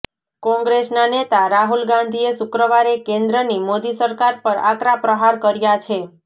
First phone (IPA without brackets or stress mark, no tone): k